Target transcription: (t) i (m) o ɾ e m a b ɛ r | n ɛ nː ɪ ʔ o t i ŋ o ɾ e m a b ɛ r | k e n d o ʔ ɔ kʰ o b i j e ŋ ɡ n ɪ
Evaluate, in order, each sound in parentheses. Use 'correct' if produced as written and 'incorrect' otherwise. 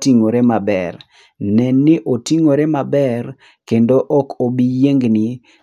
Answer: correct, incorrect: ŋ

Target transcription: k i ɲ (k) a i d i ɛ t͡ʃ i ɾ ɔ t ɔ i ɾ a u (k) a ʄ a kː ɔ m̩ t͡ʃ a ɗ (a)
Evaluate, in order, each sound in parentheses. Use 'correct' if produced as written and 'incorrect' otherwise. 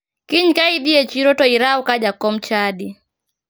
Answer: correct, correct, incorrect: i

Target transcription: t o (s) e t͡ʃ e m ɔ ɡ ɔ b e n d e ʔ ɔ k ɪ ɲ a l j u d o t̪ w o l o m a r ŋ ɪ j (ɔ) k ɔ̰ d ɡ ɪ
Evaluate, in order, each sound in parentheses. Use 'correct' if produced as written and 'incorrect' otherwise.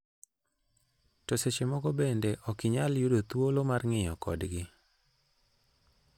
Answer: correct, correct

